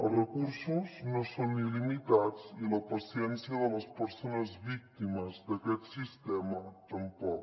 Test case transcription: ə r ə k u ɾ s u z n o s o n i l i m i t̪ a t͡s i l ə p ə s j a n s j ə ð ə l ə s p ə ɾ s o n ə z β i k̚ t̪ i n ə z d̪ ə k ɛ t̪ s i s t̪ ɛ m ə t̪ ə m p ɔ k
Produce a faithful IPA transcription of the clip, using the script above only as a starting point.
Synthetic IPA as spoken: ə r ə k u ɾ s u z n o s o n i l i m i t̪ a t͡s i l ə p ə s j ɛ n s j ə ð ə l ə s p ə ɾ s o n ə z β i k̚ t̪ i m ə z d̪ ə k ɛ t̪ s i s t̪ ɛ m ə t̪ ə m p ɔ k